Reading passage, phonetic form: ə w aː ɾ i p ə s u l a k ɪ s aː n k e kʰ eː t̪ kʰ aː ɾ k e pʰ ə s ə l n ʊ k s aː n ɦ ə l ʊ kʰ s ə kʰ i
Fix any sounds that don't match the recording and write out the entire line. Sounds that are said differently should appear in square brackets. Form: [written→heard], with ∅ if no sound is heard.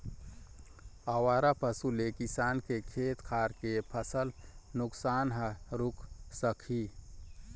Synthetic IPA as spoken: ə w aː ɾ [i→a] p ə s u l [a→e] k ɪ s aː n k e kʰ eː t̪ kʰ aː ɾ k e pʰ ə s ə l n ʊ k s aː n ɦ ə [l→ɾ] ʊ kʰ s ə kʰ i